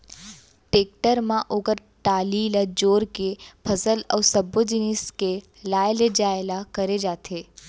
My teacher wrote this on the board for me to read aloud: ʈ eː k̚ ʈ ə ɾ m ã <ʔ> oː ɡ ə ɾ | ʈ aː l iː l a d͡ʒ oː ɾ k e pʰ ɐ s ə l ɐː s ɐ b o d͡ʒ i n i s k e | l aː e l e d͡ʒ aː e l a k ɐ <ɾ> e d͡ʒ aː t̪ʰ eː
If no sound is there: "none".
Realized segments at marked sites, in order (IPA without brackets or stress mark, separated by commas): ʔ, ɾ